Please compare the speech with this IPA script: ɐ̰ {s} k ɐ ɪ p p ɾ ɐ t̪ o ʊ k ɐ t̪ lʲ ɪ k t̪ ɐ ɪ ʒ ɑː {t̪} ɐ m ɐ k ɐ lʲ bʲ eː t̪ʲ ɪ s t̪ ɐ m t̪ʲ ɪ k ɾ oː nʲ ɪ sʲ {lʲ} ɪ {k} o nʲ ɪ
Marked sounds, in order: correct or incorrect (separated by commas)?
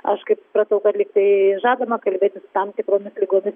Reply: incorrect, incorrect, correct, incorrect